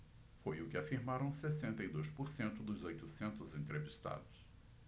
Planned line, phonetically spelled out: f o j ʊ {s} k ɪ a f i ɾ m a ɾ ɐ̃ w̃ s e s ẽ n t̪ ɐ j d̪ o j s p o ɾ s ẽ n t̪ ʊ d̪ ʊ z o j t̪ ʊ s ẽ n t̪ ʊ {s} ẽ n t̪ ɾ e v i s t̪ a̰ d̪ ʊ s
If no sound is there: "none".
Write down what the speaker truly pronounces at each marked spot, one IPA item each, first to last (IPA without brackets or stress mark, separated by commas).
none, z